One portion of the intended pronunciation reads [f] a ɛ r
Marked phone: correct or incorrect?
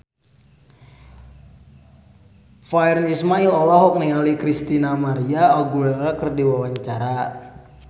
correct